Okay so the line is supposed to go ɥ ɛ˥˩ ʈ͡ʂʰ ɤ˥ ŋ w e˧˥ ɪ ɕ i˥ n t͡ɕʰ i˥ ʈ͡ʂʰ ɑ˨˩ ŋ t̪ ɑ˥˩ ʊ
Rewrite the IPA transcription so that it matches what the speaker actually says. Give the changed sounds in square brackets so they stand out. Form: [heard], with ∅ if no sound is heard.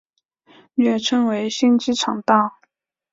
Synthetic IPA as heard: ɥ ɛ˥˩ ʈ͡ʂʰ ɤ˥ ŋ w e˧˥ ɪ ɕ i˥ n [t͡ɕ] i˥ ʈ͡ʂʰ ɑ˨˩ ŋ t̪ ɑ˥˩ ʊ